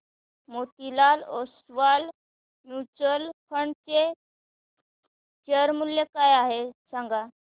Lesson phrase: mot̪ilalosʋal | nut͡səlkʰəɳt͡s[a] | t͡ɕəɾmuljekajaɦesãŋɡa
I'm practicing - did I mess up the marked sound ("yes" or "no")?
yes